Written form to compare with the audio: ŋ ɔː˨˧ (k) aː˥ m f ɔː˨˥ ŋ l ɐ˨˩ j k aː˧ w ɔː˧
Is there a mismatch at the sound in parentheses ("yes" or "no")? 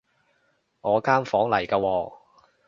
no